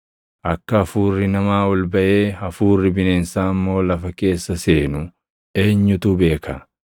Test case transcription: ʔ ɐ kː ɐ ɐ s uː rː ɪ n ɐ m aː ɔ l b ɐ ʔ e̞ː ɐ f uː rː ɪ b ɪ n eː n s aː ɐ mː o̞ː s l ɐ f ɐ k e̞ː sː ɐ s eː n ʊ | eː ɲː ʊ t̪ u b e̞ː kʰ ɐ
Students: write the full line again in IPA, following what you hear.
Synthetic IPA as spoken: ʔ ɐ kː ɐ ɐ f uː rː ɪ n ɐ m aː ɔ l b ɐ ʔ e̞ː ɐ f uː rː ɪ b ɪ n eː n s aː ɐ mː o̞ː l ɐ f ɐ k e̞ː sː ɐ s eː n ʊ | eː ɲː ʊ t̪ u b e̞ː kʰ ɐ